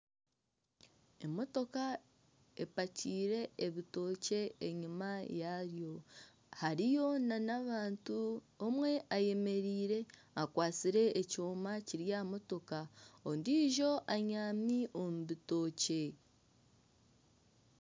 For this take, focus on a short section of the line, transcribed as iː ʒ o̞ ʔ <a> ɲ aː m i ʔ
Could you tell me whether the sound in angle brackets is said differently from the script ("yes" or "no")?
no